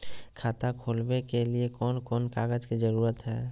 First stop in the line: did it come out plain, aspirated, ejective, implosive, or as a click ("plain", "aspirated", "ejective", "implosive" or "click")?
aspirated